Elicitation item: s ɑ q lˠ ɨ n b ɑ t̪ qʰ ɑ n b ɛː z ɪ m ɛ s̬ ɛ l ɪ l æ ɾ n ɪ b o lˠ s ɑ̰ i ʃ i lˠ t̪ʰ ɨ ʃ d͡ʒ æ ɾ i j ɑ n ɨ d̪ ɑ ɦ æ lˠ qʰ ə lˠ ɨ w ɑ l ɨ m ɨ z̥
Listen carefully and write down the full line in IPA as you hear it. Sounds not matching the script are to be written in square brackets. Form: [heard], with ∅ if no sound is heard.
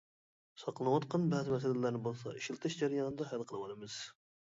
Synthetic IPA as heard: s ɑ q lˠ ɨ n [w] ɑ t̪ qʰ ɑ n b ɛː z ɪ m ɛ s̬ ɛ l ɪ l æ ɾ n ɪ b o lˠ s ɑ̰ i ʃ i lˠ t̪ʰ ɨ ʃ d͡ʒ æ ɾ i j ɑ n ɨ d̪ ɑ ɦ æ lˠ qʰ ə lˠ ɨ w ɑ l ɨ m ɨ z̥